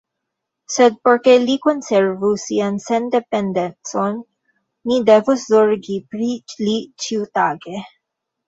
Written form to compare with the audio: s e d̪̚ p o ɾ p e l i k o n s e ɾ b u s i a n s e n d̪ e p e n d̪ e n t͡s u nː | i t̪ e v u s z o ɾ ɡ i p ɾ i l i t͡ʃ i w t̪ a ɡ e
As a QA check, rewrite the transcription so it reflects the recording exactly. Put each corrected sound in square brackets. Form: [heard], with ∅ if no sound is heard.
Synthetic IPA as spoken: s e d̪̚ p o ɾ [k] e l i k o n s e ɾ [v] u s i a n s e n d̪ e p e n d̪ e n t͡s [o] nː | i [d̪] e v u s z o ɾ ɡ i p ɾ i l i t͡ʃ i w t̪ a ɡ e